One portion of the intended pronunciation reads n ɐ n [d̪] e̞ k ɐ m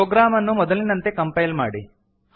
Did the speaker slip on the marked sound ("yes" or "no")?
yes